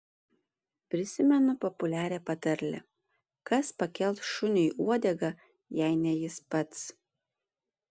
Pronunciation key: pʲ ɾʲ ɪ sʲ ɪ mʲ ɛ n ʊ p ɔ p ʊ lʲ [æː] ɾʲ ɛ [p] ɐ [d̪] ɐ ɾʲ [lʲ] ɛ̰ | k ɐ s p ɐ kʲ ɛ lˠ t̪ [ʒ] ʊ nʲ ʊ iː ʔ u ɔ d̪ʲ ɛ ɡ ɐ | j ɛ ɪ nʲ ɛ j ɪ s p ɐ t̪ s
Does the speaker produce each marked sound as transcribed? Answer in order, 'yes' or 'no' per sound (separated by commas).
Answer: yes, yes, no, yes, no